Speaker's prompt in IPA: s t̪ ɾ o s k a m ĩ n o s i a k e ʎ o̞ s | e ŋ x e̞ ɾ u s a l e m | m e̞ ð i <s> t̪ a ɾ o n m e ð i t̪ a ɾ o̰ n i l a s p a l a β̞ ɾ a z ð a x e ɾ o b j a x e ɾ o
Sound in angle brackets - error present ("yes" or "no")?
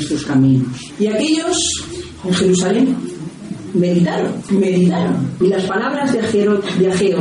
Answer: yes